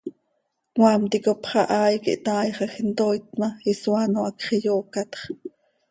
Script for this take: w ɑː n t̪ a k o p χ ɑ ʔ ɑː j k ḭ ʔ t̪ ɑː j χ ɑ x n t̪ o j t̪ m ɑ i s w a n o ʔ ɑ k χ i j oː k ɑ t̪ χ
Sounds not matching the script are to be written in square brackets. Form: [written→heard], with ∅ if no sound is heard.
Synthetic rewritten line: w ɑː [n→m] t̪ [a→i] k o p χ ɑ ʔ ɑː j k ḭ ʔ t̪ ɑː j χ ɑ x n t̪ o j t̪ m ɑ i s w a n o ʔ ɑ k χ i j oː k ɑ t̪ χ